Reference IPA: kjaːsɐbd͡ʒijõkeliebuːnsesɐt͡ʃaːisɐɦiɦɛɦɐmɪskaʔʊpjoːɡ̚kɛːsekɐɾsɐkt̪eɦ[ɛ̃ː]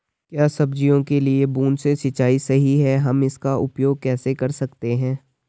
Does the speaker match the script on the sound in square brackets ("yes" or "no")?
yes